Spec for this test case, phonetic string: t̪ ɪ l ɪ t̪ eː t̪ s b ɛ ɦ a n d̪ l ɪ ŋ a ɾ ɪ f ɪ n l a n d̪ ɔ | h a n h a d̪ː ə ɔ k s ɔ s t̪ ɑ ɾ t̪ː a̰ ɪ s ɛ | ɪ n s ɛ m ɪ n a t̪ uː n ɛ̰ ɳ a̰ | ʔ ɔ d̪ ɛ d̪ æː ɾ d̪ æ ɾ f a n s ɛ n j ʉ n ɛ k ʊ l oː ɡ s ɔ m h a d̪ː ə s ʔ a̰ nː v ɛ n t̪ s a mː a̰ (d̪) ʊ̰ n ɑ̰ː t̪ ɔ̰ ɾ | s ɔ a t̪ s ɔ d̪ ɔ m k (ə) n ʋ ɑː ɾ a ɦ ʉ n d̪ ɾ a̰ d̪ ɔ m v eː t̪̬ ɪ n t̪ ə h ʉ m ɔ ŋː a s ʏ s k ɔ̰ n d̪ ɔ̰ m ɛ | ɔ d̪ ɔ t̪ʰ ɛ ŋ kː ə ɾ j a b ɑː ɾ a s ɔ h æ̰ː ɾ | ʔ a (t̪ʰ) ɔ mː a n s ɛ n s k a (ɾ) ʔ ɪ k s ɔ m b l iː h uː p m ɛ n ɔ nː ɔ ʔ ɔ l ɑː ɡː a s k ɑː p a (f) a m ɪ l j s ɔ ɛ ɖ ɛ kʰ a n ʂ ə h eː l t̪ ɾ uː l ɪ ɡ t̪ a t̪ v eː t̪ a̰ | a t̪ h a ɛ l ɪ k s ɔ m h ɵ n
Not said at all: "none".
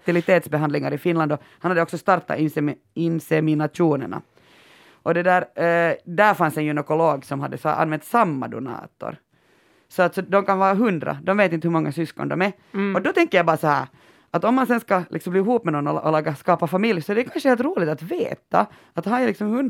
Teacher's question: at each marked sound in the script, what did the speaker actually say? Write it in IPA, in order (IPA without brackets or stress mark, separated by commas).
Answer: d̪, a, t̪, l, f